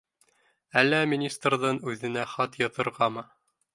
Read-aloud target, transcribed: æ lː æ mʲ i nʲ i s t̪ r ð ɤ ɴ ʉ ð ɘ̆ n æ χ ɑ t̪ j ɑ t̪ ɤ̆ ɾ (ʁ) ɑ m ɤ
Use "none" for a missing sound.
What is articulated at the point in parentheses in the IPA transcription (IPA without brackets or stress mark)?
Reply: ʁ